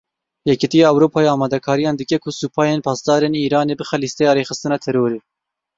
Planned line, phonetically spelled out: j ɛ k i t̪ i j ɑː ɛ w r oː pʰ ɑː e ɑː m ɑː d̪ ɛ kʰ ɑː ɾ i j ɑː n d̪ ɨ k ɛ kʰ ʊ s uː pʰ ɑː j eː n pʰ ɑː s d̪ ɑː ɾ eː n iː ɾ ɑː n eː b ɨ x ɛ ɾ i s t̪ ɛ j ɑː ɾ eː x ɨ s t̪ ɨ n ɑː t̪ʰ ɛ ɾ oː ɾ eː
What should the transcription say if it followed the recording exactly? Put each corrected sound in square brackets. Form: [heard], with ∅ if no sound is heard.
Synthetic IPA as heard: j ɛ k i t̪ i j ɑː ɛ w [ɾ] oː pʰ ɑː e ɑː m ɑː d̪ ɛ kʰ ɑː ɾ i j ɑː n d̪ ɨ k ɛ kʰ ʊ s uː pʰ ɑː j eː n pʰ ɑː s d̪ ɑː ɾ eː n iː ɾ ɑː n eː b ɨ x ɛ [l] i s t̪ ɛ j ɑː ɾ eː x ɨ s t̪ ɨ n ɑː t̪ʰ ɛ ɾ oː ɾ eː